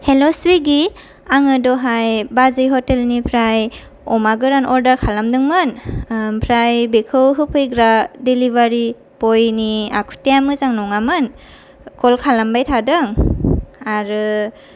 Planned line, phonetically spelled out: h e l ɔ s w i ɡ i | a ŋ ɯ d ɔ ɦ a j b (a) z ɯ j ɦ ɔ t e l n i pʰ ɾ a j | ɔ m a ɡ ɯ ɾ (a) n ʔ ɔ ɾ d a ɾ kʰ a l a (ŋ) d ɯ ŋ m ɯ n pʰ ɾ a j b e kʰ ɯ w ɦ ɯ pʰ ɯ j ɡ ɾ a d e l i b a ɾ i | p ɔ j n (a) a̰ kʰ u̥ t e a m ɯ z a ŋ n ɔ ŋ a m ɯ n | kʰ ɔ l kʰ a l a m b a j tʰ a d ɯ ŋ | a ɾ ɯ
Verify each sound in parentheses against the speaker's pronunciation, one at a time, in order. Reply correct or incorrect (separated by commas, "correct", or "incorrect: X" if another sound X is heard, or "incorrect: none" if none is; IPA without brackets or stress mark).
correct, correct, incorrect: m, incorrect: i